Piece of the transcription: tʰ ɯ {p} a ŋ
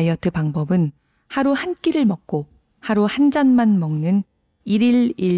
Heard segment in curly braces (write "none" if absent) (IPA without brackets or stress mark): p